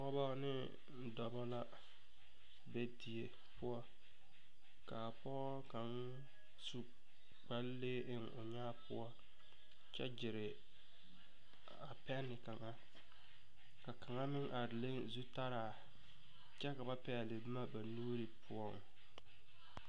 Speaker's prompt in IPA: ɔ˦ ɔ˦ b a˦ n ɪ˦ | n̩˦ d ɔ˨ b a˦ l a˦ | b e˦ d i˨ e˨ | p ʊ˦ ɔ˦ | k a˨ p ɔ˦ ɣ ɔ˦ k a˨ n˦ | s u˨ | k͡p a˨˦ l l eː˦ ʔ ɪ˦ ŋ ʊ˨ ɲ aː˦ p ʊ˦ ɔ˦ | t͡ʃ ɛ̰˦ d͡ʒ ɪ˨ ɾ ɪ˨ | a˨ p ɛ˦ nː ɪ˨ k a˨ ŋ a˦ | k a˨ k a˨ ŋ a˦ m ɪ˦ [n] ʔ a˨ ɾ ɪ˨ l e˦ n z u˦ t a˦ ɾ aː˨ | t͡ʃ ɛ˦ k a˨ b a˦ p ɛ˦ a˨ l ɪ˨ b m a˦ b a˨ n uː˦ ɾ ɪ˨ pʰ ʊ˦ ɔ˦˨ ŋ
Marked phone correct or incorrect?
incorrect